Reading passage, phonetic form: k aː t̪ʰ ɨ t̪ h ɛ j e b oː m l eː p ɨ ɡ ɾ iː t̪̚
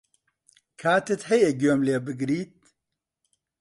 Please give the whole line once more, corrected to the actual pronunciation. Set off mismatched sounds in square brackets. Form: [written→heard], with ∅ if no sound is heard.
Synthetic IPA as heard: [k→kʰ] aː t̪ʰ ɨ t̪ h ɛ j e [b→ɡ] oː m l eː [p→b] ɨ ɡ ɾ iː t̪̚